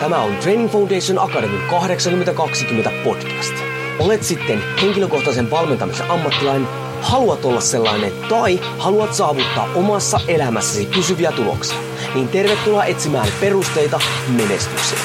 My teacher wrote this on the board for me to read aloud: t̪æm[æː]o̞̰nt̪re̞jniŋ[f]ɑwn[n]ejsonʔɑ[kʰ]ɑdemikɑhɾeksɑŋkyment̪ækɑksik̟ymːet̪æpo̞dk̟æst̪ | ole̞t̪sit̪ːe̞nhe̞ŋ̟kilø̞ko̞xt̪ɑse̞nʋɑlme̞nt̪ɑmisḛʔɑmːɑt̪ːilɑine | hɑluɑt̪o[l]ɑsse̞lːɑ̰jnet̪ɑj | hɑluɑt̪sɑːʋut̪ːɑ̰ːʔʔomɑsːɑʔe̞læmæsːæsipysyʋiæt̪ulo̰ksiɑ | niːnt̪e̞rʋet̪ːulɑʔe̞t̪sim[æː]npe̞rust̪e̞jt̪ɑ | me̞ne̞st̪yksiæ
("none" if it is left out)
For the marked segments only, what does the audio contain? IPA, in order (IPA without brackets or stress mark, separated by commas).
æ, f, d, k, lː, æː